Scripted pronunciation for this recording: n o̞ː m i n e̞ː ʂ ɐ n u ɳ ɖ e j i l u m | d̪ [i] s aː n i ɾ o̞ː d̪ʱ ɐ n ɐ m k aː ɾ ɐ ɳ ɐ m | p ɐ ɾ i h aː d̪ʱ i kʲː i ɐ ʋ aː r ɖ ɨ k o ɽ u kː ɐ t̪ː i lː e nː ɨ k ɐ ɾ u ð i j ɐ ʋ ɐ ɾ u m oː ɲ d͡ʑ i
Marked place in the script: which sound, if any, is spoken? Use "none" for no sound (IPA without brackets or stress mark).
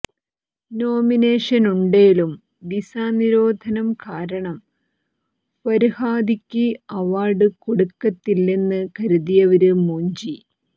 i